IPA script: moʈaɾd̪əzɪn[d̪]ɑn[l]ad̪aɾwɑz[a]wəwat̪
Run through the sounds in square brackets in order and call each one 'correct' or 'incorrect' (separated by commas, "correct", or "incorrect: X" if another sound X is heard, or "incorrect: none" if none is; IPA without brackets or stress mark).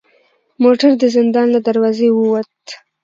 correct, correct, incorrect: e